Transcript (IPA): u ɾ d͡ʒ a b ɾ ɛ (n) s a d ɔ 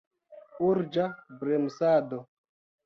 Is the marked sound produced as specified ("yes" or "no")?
no